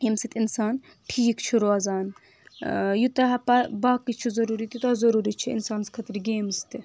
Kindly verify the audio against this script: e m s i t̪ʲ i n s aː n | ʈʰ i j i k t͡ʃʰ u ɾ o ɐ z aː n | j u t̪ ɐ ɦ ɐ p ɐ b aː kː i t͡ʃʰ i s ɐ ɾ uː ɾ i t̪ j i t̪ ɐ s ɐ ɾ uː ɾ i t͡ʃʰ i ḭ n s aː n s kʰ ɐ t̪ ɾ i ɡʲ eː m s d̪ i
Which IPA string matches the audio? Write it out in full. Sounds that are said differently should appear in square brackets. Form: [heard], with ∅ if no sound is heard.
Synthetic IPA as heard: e m s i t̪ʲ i n s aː n | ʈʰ i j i k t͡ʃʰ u ɾ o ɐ z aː n | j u t̪ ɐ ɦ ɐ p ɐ b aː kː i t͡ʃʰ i [z] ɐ ɾ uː ɾ i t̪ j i t̪ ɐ [z] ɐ ɾ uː ɾ i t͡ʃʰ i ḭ n s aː n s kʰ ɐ t̪ ɾ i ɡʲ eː m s [t̪] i